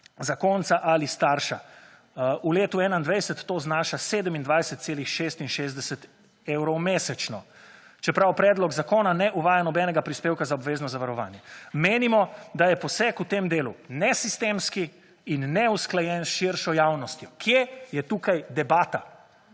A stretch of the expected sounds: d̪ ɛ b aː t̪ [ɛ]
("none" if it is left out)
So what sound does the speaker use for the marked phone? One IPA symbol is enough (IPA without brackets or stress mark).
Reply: a